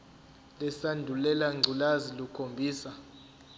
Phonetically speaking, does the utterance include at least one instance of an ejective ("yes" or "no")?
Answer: no